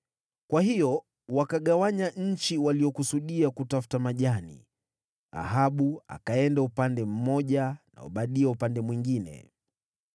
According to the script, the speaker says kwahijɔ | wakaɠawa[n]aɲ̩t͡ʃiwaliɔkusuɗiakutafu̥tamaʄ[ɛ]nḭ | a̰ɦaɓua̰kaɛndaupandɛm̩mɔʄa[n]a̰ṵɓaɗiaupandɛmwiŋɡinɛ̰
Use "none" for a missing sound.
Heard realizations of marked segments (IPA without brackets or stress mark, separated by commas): ɲ, a, n